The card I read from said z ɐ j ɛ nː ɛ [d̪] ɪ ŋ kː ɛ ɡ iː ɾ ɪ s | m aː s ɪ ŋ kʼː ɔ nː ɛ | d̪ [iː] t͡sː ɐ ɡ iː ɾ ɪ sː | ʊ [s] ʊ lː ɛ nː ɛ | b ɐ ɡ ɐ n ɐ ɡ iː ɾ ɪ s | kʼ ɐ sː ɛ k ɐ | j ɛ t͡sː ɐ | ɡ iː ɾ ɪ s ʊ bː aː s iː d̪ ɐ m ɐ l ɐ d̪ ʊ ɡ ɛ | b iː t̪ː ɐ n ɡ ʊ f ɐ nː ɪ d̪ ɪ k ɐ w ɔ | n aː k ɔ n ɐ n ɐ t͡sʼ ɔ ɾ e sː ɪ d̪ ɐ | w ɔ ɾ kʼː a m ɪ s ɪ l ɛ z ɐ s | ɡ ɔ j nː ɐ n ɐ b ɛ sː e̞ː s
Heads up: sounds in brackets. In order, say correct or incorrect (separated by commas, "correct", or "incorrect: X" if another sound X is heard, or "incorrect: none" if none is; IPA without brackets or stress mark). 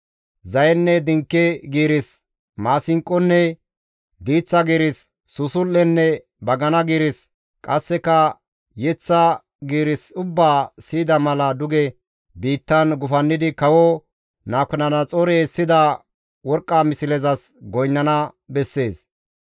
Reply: correct, correct, correct